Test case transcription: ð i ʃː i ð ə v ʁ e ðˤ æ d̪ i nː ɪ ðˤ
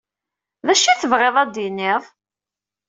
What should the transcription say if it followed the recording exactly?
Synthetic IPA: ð æ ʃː i θ ə v ʁ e ðˤ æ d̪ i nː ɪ ðˤ

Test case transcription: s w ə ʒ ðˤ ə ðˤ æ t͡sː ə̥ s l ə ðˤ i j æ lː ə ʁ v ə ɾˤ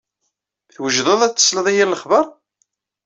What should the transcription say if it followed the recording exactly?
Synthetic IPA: θ w ə ʒ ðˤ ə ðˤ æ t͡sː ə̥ s l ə ðˤ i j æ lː ə χ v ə ɾˤ

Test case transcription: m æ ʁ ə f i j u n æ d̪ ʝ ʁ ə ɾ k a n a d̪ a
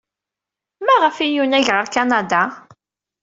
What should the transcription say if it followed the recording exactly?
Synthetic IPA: m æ ʁ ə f i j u n æ ʝ ʁ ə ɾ k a n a d̪ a

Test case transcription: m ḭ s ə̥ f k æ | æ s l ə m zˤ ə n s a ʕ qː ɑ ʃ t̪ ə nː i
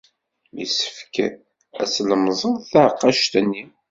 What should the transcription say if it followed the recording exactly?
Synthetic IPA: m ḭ s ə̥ f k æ | æ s l ə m zˤ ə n θ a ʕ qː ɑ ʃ t̪ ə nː i

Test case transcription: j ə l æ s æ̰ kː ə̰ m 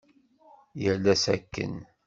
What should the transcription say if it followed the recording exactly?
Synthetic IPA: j ə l æ s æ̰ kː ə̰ n

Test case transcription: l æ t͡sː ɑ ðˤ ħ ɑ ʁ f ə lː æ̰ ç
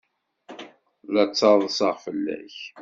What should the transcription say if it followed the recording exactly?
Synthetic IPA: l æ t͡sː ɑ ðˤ s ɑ ʁ f ə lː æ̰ ç

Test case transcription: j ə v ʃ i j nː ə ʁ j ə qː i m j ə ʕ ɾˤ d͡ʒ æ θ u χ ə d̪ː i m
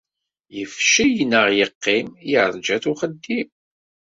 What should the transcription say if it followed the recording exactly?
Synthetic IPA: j ə f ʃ i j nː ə ʁ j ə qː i m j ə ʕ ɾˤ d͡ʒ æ θ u χ ə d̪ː i m

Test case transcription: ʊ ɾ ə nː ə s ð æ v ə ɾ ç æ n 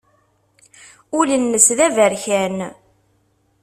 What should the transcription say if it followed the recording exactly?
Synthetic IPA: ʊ l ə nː ə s ð æ v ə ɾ ç æ n

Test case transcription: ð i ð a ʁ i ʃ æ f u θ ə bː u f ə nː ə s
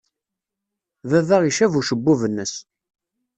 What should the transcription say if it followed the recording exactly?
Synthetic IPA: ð æ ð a ʁ i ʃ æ v u ʃ ə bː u v ə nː ə s

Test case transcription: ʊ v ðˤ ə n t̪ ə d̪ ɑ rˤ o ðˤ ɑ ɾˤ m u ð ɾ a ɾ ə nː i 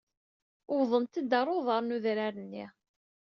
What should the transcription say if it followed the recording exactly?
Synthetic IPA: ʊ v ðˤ ə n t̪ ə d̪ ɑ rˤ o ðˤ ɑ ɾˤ n u ð ɾ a ɾ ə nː i

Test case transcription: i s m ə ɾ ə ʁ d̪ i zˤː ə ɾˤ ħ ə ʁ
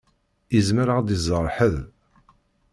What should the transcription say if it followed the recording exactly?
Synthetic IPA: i z m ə ɾ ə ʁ d̪ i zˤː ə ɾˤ ħ ə ð

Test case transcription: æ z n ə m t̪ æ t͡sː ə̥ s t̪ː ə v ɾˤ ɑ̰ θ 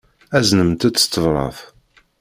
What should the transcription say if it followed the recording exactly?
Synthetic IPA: æ z n ə m t̪ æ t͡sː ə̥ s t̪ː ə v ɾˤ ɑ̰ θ

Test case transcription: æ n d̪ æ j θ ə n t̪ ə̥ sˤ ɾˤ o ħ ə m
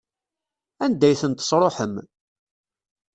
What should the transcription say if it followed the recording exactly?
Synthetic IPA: æ n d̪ æ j θ ə n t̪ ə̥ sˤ ɾˤ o ħ ə m

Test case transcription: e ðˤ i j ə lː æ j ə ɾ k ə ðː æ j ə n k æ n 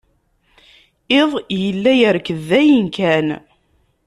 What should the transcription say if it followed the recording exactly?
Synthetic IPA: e ðˤ j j ə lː æ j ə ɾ k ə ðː æ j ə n k æ n

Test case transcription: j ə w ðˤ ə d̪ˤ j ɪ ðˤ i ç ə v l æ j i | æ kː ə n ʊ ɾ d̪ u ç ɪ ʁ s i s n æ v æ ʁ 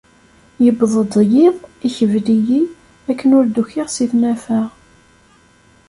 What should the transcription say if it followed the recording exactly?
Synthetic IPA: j ə b ðˤ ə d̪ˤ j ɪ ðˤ i ç ə v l i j i | æ kː ə n ʊ ɾ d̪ u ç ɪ ʁ s i θ n æ f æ ʁ

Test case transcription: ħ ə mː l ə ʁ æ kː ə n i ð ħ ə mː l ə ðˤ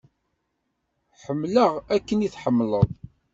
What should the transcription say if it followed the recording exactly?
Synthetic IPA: ħ ə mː l ə ʁ æ kː ə n i θ ħ ə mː l ə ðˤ

